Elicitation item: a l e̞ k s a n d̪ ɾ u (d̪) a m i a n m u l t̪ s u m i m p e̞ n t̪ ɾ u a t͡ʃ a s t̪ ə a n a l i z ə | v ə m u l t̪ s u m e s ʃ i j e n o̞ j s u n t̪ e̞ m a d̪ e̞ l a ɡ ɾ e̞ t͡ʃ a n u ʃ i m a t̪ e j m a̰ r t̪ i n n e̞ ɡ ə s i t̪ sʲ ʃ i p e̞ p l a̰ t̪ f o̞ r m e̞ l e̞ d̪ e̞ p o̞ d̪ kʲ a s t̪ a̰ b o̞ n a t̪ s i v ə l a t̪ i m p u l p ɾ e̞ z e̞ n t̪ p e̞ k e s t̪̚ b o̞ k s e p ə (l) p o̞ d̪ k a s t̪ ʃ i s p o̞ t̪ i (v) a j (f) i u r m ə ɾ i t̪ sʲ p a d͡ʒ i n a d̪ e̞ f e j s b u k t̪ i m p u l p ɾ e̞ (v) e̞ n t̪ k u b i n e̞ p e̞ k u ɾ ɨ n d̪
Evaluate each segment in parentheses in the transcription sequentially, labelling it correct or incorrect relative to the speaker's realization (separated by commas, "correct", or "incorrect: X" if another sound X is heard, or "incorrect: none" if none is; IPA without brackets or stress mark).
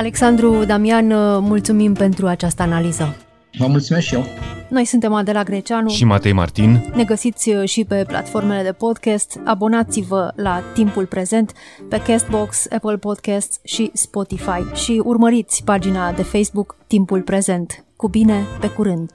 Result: correct, correct, incorrect: f, incorrect: ʃ, incorrect: z